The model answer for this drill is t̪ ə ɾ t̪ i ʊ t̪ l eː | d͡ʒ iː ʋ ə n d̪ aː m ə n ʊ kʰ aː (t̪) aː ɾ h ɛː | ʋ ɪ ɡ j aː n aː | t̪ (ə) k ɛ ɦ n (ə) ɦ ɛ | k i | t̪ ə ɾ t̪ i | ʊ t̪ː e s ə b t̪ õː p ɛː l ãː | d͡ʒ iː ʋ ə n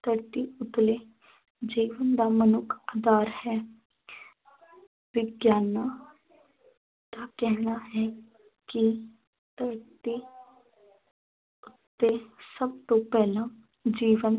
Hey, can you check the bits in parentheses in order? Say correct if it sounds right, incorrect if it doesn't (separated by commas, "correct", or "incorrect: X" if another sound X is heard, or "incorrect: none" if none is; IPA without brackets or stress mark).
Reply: incorrect: d̪, incorrect: a, incorrect: a